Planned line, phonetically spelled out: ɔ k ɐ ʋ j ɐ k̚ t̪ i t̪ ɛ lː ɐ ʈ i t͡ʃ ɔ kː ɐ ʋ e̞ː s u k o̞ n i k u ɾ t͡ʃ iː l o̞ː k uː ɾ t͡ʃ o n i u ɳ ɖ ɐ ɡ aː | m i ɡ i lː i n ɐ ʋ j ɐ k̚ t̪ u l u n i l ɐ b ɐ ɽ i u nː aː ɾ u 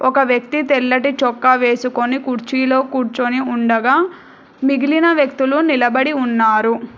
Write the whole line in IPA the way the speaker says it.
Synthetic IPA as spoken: ɔ k ɐ ʋ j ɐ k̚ t̪ i t̪ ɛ lː ɐ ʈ i t͡ʃ ɔ kː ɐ ʋ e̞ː s u k o̞ n i k u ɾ t͡ʃ iː l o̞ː k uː ɾ t͡ʃ o n i u ɳ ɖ ɐ ɡ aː | m i ɡ i l i n ɐ ʋ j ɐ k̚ t̪ u l u n i l ɐ b ɐ ɽ i u nː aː ɾ u

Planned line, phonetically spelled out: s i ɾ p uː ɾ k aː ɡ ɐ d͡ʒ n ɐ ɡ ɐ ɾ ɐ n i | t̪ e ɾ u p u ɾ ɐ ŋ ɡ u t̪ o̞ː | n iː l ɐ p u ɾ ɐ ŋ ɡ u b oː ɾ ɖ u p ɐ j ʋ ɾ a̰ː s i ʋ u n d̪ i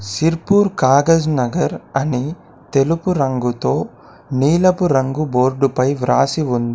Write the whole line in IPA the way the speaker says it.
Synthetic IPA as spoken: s i ɾ p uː ɾ k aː ɡ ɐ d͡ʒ n ɐ ɡ ɐ ɾ ɐ n i | t̪ e l u p u ɾ ɐ ŋ ɡ u t̪ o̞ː | n iː l ɐ p u ɾ ɐ ŋ ɡ u b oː ɾ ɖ u p ɐ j ʋ ɾ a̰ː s i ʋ u n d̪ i

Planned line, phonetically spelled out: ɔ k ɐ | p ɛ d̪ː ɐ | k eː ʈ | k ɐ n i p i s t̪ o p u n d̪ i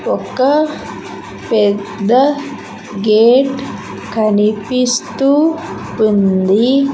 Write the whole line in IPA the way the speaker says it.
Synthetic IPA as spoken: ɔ k ɐ | p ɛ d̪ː ɐ | ɡ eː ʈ | k ɐ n i p i s t̪ u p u n d̪ i

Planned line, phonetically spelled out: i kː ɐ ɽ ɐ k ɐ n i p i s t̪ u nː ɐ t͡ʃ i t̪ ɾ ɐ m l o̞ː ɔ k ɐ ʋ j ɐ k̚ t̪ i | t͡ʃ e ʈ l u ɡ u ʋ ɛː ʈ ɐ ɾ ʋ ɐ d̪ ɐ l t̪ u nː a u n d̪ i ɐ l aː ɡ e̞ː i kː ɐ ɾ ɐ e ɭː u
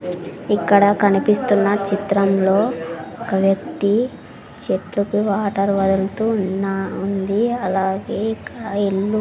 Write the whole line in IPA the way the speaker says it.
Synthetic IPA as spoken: i kː ɐ ɽ ɐ k ɐ n i p i s t̪ u nː ɐ t͡ʃ i t̪ ɾ ɐ m l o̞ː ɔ k ɐ ʋ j ɐ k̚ t̪ i | t͡ʃ e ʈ l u k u ʋ aː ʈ ɐ ɾ ʋ ɐ d̪ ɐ l t̪ u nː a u n d̪ i ɐ l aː ɡ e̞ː i kː ɐ ɽ ɐ e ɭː u

